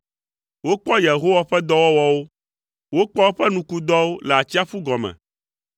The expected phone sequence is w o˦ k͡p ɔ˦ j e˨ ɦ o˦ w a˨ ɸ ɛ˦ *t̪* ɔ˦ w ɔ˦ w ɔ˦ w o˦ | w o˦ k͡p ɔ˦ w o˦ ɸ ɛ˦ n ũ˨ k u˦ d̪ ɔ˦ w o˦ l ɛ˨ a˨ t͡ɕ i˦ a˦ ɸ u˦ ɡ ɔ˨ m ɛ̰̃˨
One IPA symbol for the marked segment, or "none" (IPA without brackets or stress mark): d̪